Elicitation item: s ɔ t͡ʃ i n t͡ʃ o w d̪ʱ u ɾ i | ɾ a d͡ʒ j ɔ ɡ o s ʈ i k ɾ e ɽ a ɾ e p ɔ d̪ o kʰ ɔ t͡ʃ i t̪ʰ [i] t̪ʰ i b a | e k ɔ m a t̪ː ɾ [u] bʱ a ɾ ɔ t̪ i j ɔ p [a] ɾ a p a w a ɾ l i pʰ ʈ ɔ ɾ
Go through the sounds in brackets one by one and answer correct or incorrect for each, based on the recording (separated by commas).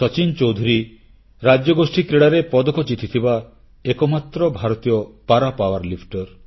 correct, incorrect, correct